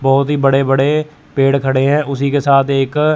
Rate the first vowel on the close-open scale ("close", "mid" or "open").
mid